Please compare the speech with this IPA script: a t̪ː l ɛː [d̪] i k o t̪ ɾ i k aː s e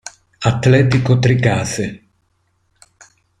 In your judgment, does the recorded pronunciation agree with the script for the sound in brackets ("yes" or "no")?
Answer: no